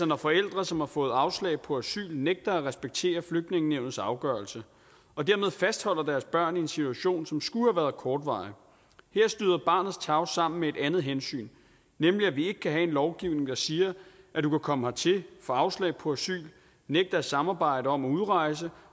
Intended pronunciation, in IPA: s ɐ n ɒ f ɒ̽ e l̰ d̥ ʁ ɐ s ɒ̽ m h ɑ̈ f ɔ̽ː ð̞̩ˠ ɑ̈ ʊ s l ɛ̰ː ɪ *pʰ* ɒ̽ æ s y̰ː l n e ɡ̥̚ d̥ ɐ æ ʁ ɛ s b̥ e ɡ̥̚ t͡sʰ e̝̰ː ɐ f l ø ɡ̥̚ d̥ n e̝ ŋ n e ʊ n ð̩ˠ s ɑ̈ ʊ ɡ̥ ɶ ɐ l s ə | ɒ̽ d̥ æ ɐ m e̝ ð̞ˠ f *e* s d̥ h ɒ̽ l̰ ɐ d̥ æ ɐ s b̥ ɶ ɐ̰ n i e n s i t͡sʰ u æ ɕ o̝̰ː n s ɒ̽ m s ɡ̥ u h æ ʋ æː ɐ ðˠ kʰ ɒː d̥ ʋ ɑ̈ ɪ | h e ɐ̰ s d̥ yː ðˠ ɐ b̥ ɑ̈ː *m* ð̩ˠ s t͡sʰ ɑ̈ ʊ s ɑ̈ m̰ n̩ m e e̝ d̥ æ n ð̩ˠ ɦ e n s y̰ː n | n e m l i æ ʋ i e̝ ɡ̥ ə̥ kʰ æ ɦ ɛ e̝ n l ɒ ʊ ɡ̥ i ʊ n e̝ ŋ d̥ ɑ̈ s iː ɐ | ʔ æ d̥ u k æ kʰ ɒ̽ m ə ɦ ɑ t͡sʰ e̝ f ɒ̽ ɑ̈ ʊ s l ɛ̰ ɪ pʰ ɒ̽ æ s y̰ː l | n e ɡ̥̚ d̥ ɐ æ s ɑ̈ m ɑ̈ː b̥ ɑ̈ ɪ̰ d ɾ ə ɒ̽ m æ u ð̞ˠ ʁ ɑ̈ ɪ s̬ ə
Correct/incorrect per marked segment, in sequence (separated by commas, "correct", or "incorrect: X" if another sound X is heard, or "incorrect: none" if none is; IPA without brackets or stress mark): correct, incorrect: æ, incorrect: n